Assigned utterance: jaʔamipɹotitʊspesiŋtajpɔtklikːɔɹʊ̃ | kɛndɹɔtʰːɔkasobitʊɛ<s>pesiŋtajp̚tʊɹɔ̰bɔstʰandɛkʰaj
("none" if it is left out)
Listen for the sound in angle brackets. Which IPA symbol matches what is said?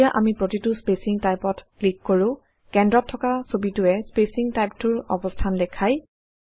s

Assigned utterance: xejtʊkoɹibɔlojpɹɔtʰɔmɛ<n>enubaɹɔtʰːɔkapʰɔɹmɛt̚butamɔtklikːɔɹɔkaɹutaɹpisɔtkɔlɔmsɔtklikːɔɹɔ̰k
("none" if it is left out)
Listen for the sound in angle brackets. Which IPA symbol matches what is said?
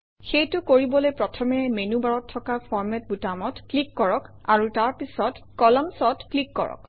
m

